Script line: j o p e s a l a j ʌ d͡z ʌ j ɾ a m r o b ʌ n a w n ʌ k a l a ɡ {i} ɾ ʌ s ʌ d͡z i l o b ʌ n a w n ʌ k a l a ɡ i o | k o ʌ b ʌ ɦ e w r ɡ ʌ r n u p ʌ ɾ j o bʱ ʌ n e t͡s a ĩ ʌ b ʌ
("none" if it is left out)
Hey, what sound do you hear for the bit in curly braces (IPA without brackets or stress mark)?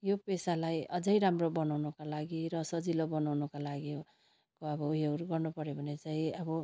i